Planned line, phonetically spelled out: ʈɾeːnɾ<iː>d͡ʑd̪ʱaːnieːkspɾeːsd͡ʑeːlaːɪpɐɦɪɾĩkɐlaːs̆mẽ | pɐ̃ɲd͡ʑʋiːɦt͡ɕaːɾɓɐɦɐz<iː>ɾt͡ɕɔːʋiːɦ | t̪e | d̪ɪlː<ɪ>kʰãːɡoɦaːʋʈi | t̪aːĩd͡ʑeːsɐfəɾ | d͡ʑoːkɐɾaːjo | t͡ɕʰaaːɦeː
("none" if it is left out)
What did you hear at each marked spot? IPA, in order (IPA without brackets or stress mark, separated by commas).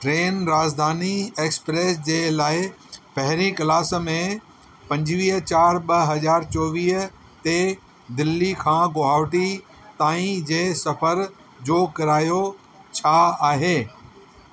aː, aː, i